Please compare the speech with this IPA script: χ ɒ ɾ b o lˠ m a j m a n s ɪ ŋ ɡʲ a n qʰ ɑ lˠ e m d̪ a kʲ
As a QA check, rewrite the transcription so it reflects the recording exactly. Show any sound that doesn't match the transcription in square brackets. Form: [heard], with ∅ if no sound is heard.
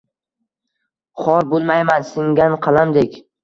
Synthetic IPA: χ ɒ ɾ b o lˠ m a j m a n s ɪ ŋ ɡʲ a n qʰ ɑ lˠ [a] m d̪ [e] kʲ